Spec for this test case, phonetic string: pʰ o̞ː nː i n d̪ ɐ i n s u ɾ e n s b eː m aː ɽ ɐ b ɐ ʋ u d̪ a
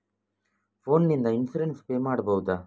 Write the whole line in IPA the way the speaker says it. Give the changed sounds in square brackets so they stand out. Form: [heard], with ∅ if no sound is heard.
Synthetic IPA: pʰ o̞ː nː i n d̪ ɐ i n s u ɾ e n s [p] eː m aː ɽ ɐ b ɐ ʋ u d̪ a